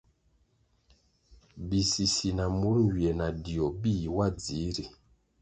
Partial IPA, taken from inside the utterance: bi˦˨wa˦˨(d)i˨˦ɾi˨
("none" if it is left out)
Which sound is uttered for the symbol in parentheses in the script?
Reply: d͡z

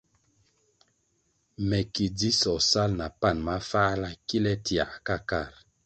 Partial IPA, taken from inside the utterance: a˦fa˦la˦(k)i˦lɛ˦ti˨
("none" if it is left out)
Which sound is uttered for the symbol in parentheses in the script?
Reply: k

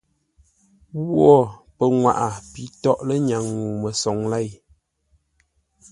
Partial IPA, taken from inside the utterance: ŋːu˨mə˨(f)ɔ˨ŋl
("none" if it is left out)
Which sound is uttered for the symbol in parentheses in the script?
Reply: s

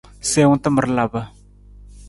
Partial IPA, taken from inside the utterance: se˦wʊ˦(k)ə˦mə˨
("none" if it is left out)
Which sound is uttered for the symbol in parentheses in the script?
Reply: t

